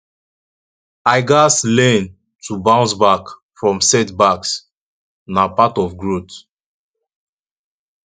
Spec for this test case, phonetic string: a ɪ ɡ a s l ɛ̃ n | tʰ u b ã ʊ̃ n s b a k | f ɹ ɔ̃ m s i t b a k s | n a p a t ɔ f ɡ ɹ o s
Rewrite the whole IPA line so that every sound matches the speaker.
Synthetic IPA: a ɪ ɡ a s l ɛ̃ n | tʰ u b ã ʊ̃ n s b a k | f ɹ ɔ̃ m s ɛ t b a k s | n a p a t ɔ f ɡ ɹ o t